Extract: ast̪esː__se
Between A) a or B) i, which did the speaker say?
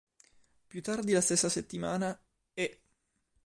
A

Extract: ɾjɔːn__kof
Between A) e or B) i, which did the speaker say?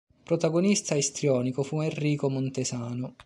B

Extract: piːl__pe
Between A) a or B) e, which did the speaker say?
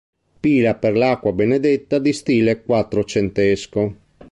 A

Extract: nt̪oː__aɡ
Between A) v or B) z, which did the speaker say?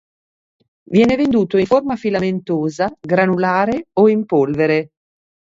B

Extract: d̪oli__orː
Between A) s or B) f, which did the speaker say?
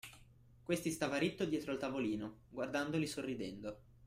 A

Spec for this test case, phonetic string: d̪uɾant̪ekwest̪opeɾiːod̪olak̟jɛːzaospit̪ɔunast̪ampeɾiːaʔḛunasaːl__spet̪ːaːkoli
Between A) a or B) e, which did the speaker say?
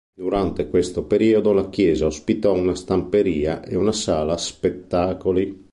A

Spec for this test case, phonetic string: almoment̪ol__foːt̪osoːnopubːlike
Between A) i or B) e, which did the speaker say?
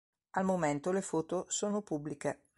B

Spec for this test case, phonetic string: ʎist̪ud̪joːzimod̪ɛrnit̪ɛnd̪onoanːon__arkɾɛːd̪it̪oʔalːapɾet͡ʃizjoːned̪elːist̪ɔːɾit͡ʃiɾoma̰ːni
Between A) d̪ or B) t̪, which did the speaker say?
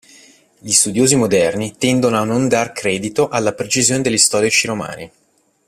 A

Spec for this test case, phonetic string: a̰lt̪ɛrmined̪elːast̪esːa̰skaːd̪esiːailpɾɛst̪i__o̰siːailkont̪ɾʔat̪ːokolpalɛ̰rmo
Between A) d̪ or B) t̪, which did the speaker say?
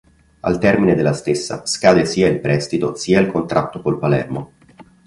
B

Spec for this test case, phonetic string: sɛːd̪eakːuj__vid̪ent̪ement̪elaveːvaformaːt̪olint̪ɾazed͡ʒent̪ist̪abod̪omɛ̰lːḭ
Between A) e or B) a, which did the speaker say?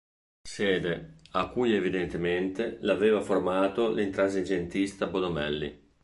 A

